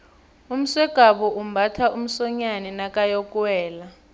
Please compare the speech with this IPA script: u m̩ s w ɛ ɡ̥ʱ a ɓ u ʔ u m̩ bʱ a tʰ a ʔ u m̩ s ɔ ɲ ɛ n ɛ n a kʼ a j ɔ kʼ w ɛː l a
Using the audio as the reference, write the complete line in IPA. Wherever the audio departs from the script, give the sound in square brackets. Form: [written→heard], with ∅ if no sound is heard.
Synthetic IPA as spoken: u m̩ s w ɛ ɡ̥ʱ a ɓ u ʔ u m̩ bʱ a tʰ a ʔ u m̩ s ɔ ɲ [ɛ→a] n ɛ n a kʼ a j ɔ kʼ w ɛː l a